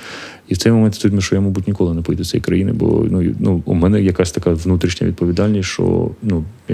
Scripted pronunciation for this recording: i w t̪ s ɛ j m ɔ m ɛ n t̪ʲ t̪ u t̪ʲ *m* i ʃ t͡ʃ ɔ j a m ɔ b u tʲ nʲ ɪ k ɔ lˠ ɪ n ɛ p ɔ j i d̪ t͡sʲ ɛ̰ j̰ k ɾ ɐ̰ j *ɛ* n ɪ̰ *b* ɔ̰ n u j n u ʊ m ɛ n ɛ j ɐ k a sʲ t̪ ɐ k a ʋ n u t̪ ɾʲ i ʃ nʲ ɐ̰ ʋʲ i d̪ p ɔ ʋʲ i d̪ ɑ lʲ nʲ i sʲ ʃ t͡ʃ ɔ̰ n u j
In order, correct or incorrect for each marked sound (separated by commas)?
correct, incorrect, correct